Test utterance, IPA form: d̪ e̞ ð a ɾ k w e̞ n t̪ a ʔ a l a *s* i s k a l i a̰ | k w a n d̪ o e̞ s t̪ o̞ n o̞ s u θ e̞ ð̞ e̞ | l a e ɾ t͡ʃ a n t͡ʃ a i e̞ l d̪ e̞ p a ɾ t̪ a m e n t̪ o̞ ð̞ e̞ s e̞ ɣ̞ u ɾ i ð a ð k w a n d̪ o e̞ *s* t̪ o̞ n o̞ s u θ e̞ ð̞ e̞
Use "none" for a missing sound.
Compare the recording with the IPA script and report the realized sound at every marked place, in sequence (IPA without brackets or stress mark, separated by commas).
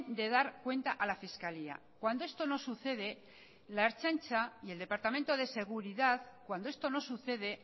f, s